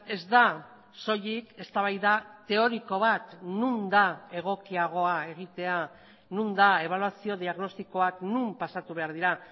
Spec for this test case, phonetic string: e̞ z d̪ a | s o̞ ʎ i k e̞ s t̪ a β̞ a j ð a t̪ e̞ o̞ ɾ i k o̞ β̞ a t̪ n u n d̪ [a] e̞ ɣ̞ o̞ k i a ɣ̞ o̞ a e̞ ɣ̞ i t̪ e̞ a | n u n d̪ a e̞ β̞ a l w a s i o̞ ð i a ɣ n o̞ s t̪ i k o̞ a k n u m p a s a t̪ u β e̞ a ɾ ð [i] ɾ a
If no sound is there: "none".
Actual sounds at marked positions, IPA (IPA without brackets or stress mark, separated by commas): a, i